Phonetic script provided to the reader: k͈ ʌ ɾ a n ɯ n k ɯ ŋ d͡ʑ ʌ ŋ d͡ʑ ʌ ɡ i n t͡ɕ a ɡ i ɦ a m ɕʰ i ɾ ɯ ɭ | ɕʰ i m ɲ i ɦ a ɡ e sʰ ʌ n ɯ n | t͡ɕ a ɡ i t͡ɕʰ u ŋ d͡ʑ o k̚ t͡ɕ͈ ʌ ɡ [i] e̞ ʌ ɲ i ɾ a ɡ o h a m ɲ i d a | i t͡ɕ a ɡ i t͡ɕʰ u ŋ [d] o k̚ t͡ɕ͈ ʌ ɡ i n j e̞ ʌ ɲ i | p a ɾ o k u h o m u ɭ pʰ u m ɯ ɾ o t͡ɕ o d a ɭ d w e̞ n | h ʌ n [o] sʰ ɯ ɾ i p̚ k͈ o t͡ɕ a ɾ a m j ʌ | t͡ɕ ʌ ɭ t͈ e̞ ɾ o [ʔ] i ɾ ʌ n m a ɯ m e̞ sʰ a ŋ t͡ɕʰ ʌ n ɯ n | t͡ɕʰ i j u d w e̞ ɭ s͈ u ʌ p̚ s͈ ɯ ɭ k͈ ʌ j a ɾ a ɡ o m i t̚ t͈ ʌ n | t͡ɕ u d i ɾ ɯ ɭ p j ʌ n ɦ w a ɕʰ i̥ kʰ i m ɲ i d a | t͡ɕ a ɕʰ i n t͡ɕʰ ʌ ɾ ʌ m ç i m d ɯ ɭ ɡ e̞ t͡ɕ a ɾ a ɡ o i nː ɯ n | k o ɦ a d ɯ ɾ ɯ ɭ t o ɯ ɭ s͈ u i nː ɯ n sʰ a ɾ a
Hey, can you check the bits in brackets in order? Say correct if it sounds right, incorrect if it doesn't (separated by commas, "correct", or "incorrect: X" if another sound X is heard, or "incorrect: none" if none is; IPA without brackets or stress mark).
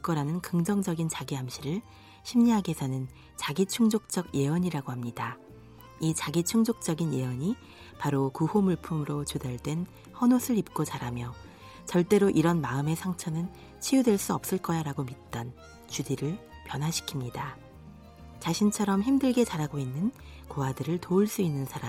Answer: incorrect: j, incorrect: d͡ʑ, correct, correct